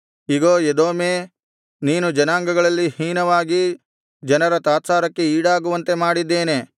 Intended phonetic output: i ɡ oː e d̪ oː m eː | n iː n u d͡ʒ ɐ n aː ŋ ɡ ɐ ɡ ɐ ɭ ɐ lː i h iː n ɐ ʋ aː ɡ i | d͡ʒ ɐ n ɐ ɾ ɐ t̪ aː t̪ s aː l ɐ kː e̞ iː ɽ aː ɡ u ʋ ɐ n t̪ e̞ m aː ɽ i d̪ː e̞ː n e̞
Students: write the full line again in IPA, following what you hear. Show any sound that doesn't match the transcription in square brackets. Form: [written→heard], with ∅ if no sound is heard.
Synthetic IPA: i ɡ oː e d̪ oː m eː | n iː n u d͡ʒ ɐ n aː ŋ ɡ ɐ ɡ ɐ ɭ ɐ lː i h iː n ɐ ʋ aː ɡ i | d͡ʒ ɐ n ɐ ɾ ɐ t̪ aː t̪ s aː [l→ɾ] ɐ kː e̞ iː ɽ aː ɡ u ʋ ɐ n t̪ e̞ m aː ɽ i d̪ː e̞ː n e̞